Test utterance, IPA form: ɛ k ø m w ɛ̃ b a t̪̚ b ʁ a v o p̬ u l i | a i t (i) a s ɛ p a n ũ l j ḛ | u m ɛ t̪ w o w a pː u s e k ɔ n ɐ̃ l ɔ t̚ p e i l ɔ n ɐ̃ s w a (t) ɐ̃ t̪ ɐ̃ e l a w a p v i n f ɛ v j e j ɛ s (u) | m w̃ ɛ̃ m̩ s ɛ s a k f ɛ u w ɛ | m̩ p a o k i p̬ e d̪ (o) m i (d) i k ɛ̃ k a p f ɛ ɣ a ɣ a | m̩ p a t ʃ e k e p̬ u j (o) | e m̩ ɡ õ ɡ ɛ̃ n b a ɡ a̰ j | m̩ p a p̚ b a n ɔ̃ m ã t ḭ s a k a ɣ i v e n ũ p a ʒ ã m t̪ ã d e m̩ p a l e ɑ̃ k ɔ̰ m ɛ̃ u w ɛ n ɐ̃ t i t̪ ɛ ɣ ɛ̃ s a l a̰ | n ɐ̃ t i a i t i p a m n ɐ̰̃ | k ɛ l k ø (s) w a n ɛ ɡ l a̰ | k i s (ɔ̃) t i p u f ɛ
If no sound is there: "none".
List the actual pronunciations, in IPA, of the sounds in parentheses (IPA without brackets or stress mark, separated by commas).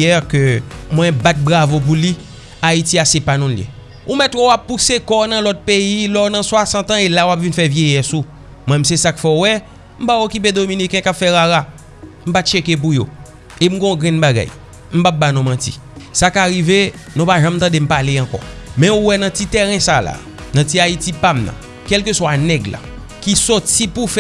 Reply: i, s, u, o, n, o, s, ɔ